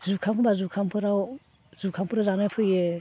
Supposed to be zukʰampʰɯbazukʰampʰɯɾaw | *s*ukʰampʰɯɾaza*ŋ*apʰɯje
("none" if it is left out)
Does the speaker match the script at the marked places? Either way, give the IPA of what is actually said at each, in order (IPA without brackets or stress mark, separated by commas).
z, n